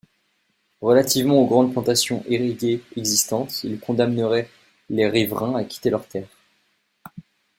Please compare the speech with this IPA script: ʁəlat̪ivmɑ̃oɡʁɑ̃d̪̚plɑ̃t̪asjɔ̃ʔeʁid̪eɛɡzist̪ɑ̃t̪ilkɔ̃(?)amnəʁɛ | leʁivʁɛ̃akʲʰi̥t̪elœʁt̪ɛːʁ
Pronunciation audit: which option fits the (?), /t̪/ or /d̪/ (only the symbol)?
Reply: d̪